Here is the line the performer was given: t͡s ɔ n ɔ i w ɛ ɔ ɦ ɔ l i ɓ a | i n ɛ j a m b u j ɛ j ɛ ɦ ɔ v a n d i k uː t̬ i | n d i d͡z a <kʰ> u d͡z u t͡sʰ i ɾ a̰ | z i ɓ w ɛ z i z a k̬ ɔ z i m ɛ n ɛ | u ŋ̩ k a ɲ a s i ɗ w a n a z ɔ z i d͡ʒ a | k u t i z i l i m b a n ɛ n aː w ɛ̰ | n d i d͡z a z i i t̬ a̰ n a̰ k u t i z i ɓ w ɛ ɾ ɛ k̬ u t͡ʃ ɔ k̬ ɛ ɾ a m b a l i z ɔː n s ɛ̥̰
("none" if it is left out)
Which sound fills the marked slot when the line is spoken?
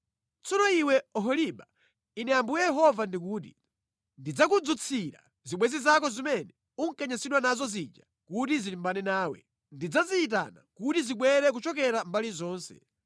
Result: k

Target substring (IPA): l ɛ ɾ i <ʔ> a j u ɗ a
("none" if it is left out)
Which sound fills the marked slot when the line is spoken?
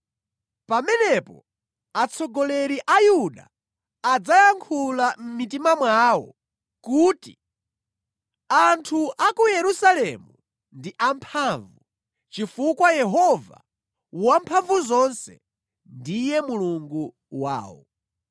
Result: ʔ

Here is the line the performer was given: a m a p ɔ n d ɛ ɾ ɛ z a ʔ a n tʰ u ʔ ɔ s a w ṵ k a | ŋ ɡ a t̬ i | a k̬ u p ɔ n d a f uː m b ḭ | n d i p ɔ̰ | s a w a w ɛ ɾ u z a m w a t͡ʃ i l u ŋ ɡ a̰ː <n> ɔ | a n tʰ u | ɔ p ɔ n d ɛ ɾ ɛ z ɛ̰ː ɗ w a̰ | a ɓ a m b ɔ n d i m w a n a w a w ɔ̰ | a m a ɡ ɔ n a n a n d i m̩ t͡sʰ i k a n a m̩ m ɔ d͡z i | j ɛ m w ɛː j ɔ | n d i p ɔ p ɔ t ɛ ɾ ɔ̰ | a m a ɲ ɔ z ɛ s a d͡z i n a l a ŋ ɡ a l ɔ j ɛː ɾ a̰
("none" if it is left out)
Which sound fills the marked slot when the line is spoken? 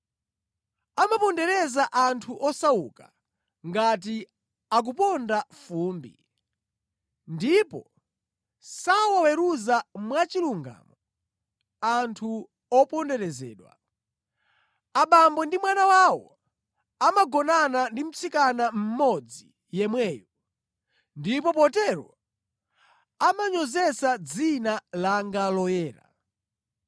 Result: m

